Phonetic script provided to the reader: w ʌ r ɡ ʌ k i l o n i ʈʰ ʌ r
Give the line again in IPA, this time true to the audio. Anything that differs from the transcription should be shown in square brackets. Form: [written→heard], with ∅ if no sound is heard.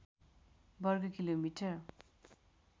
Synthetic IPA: [w→b] ʌ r ɡ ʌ k i l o [n→m] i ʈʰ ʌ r